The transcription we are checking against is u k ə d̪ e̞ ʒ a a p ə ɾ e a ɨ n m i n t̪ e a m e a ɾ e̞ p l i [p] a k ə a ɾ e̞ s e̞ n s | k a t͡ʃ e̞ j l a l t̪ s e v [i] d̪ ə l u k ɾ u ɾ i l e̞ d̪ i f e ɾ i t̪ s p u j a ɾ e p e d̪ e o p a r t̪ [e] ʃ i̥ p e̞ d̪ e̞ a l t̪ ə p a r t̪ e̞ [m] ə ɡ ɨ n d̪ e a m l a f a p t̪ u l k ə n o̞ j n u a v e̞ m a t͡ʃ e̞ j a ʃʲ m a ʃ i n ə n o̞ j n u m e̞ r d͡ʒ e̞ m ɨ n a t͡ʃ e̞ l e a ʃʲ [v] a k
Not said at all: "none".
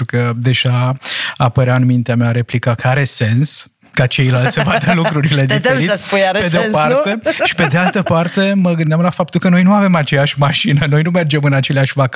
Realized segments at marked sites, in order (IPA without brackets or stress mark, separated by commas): k, a, e, m, v